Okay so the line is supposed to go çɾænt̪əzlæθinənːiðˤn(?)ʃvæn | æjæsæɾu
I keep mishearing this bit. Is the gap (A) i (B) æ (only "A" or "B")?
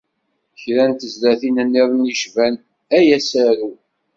A